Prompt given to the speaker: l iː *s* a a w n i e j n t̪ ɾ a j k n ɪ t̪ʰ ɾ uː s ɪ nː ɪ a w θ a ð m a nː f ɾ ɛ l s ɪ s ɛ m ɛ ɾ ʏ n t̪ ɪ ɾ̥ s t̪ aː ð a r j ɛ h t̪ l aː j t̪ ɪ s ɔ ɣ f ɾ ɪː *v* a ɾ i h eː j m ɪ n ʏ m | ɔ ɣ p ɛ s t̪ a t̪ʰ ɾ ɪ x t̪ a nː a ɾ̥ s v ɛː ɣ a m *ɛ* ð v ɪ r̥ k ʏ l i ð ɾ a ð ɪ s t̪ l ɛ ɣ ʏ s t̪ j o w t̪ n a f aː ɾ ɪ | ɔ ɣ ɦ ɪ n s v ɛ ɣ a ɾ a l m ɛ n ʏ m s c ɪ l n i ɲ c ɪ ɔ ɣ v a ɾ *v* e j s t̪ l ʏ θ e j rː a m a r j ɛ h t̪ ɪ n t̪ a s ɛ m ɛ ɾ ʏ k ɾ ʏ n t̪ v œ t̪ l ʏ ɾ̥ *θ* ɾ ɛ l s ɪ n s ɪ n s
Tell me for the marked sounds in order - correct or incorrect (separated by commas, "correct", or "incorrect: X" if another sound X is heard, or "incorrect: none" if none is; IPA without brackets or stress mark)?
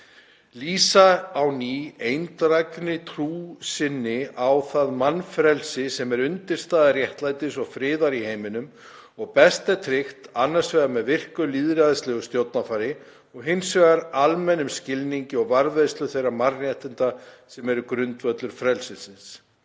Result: correct, incorrect: ð, correct, correct, incorrect: f